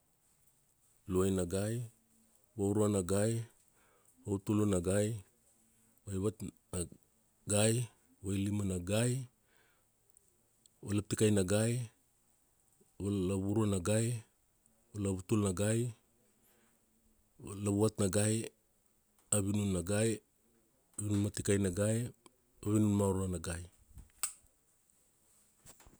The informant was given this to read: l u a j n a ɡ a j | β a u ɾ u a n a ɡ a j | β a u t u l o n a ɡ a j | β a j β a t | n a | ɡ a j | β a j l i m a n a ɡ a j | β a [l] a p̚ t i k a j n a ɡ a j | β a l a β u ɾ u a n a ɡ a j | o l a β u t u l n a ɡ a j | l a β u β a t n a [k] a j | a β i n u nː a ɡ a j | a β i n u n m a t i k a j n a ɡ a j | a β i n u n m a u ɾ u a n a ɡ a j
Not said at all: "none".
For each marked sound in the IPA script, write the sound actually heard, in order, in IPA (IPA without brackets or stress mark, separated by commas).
l, ɡ